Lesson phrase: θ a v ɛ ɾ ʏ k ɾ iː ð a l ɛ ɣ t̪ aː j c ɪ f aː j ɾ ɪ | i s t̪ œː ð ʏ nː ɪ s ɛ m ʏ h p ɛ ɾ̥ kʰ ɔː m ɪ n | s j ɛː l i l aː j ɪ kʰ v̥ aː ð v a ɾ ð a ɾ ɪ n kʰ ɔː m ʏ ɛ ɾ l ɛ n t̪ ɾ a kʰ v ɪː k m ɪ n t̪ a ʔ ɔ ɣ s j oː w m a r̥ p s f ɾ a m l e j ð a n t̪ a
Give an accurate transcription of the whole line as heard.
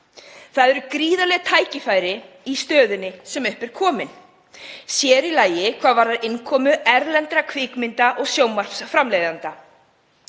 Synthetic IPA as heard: θ a ð ɛ ɾ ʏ k ɾ iː ð a l ɛ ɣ t̪ʰ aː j c ɪ f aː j ɾ ɪ | i s t̪ œː ð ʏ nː ɪ s ɛ m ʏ h p ɛ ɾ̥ kʰ ɔː m ɪ n | s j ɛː ɾ i l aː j ɪ kʰ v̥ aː ð v a ɾ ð a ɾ ɪ n kʰ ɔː m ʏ ɛ ɾ l ɛ n t̪ ɾ a kʰ v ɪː k m ɪ n t̪ a ʔ ɔ ɣ s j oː w m a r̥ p s f ɾ a m l e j ð a n t̪ a